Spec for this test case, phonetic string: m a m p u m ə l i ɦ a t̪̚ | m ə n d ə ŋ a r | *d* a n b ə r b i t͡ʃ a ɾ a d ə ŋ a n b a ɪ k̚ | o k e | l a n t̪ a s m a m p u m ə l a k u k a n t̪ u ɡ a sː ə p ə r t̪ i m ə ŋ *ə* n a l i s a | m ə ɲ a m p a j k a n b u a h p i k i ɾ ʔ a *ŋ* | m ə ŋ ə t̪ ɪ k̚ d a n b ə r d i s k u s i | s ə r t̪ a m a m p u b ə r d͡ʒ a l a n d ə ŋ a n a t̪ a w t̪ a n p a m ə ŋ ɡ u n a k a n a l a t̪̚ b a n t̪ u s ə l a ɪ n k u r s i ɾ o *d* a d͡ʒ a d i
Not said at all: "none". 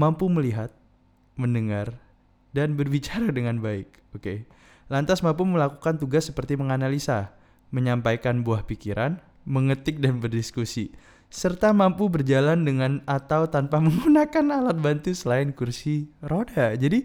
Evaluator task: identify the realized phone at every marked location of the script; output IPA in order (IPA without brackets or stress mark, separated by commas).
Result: d, a, n, d